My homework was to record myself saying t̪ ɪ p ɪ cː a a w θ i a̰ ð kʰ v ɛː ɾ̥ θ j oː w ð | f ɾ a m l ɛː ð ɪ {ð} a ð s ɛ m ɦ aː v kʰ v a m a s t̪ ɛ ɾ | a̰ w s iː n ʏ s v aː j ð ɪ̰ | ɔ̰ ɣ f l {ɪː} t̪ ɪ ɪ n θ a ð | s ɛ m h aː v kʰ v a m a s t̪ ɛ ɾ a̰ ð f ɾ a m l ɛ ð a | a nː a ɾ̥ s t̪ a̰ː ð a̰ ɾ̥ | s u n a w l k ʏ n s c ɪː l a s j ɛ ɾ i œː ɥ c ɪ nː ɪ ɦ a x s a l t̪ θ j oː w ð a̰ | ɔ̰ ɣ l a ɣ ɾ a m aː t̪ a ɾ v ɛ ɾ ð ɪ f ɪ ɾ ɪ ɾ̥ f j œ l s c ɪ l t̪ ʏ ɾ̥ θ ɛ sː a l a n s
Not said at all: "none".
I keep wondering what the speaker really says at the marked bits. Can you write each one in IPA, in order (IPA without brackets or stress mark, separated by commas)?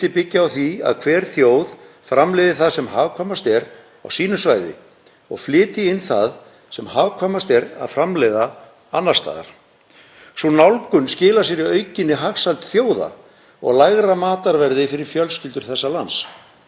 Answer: θ, ɪː